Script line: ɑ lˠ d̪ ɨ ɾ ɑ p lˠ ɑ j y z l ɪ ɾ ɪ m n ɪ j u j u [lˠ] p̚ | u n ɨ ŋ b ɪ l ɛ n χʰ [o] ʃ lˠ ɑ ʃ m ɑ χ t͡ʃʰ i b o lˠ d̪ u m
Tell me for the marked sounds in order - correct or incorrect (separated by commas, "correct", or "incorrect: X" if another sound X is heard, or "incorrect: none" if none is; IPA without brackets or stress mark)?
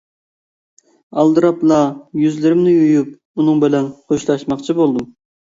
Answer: incorrect: none, correct